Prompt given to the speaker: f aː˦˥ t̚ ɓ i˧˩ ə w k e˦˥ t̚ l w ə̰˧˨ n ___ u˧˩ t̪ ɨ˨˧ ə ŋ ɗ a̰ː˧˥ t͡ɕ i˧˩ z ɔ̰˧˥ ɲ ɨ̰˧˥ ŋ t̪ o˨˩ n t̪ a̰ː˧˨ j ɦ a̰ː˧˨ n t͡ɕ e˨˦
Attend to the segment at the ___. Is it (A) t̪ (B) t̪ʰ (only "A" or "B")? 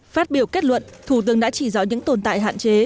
B